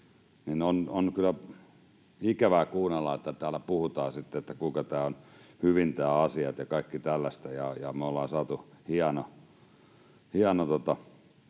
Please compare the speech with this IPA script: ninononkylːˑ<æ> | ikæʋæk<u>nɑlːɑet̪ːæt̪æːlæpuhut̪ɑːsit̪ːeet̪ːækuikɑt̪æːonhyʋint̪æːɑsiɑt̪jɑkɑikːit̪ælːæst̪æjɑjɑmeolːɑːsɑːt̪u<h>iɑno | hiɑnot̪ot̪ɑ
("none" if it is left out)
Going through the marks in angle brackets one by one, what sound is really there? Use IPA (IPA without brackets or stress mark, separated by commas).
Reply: æ, uː, h